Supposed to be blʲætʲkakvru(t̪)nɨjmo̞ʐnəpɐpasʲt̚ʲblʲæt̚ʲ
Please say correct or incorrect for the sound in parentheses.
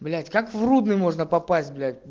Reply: incorrect